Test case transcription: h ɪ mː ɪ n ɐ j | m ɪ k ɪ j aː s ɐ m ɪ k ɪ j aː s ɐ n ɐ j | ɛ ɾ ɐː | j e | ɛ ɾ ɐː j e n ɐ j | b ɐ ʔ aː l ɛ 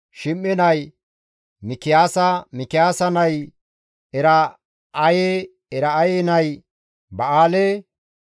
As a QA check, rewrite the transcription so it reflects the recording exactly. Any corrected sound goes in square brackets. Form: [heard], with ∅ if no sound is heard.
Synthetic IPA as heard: [ʃ] ɪ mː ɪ n ɐ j | m ɪ k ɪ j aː s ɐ m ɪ k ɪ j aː s ɐ n ɐ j | ɛ ɾ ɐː | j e | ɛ ɾ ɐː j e n ɐ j | b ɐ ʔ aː l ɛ